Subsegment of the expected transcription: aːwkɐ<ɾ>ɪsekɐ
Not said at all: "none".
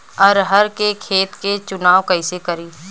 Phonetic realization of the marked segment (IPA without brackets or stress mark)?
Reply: none